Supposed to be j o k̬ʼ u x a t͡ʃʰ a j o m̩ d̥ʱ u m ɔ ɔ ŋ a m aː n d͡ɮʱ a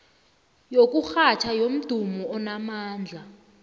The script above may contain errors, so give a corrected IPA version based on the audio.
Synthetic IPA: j o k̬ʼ u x a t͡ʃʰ a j o m̩ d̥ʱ u m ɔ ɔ n a m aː n d͡ɮʱ a